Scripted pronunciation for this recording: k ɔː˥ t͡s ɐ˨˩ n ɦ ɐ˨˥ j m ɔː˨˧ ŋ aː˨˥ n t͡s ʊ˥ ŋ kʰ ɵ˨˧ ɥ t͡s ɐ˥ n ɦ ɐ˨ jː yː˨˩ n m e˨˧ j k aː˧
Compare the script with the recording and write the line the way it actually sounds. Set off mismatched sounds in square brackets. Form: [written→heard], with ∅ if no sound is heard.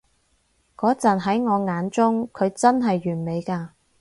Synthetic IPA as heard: k [ɔː˥→ɔː˨˥] t͡s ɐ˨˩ n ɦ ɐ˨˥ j [m→ŋ] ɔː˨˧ ŋ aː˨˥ n t͡s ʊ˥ ŋ kʰ ɵ˨˧ ɥ t͡s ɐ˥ n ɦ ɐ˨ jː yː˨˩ n m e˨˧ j k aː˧